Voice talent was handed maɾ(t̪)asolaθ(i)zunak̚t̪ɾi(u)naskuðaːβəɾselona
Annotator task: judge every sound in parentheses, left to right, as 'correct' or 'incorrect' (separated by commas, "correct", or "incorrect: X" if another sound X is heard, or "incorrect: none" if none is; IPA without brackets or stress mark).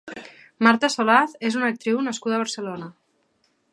correct, incorrect: e, incorrect: w